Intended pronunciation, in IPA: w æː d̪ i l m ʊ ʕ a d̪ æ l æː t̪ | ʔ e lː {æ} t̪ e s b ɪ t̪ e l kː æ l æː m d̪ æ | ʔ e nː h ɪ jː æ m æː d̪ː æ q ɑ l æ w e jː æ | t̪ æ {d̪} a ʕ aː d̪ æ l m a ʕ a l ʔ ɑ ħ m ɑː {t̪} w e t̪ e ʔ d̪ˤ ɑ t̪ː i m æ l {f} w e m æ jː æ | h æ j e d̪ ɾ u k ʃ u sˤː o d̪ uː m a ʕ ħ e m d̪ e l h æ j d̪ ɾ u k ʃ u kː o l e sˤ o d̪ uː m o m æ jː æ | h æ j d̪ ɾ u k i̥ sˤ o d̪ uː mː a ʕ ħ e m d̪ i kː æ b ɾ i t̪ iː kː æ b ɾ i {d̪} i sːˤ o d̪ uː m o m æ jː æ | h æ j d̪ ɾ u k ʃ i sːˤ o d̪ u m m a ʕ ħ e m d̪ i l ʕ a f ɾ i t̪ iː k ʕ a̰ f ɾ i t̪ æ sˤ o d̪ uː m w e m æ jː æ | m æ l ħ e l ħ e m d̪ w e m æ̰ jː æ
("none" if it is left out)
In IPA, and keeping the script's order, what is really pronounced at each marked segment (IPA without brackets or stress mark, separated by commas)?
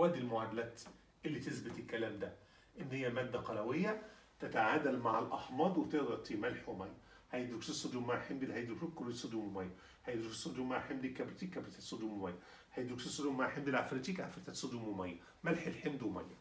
i, t̪, d̪, ħ, t̪